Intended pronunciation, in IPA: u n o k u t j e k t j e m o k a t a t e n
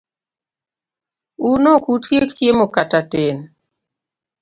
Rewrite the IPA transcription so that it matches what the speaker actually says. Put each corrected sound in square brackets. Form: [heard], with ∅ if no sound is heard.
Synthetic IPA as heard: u n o k u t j e k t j e m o k a t a t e n